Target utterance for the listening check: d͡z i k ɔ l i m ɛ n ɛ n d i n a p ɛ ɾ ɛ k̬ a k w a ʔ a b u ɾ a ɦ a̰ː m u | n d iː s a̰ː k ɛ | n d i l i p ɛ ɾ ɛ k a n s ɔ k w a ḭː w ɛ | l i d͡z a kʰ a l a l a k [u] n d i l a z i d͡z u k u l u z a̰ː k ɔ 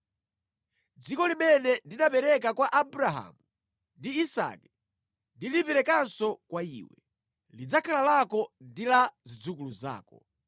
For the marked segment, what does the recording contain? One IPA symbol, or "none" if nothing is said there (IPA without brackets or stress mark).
ɔ